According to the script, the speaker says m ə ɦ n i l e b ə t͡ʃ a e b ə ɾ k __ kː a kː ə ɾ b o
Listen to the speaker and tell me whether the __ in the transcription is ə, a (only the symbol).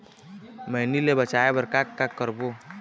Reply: a